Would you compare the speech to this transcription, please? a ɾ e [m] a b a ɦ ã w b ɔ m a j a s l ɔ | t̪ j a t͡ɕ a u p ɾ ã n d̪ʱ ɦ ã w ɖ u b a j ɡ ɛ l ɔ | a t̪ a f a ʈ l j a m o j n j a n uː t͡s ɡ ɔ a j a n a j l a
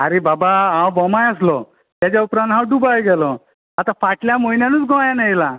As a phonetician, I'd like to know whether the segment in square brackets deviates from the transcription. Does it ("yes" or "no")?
yes